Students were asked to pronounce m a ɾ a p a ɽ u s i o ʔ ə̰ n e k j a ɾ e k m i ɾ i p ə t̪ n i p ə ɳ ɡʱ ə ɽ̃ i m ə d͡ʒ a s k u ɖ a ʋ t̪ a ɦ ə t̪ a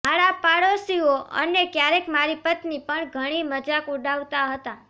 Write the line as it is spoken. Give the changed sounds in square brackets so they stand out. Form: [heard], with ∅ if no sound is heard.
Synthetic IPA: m a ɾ a p a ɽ [o] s i o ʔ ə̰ n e k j a ɾ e k m [a] ɾ i p ə t̪ n i p ə ɳ ɡʱ ə ɽ̃ i m ə d͡ʒ a [∅] k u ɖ a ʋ t̪ a ɦ ə t̪ a